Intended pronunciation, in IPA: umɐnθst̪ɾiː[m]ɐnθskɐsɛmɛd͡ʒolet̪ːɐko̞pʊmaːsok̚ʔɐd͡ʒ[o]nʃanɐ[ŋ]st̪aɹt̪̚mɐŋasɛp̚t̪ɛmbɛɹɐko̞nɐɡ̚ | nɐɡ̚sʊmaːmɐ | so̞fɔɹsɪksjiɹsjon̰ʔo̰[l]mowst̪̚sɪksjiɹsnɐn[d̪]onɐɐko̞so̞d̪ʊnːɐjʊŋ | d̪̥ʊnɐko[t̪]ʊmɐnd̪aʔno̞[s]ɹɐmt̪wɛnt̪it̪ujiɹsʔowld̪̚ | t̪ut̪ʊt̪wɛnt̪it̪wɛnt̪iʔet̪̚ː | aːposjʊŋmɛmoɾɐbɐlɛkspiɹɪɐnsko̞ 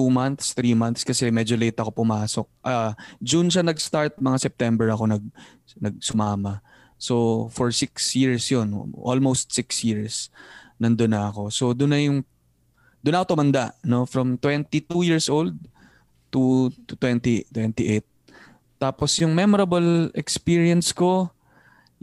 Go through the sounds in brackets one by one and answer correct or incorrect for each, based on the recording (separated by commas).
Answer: correct, incorrect, incorrect, correct, correct, correct, incorrect